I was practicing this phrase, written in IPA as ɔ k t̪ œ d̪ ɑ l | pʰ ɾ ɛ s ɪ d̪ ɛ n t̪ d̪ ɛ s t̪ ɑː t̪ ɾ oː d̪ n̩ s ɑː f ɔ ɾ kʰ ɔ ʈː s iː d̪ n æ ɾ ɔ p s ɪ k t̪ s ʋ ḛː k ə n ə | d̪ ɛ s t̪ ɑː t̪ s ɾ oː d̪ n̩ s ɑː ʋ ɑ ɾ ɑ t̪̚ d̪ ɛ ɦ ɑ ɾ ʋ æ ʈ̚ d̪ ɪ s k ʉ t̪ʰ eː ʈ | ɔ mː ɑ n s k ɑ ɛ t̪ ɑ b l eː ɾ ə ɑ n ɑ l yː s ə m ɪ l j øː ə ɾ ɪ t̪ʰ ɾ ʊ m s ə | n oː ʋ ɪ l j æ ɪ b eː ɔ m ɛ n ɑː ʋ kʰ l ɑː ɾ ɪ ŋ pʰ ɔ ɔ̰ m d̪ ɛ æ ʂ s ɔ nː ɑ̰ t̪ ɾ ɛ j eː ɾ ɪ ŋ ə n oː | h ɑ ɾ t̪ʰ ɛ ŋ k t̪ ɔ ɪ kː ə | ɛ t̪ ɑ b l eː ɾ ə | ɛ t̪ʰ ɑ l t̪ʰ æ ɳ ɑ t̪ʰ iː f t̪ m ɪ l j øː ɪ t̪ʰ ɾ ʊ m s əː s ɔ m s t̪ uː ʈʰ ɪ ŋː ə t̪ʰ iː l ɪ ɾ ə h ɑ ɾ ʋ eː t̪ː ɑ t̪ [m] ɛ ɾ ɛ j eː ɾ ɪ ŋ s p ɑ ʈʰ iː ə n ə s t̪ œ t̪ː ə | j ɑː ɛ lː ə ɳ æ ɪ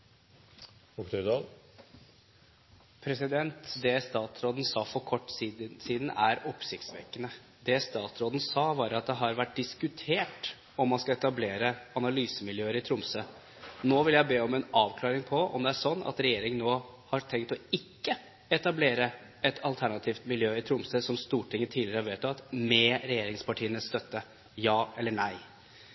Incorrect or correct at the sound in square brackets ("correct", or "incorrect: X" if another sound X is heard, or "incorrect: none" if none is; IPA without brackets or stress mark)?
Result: correct